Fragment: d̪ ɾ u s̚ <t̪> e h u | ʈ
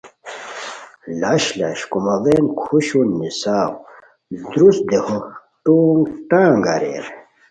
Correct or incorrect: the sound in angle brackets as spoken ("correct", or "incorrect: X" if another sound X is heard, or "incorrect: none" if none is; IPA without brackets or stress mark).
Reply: incorrect: d̪